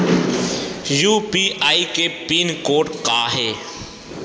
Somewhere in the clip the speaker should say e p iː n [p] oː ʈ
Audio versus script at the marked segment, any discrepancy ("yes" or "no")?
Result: yes